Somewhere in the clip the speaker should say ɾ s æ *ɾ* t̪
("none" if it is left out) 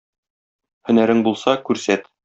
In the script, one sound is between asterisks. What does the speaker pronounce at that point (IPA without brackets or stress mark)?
none